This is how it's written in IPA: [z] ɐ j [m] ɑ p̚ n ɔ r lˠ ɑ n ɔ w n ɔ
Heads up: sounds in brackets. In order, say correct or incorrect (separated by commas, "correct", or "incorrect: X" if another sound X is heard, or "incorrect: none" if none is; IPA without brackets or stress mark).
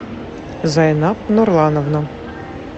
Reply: correct, incorrect: n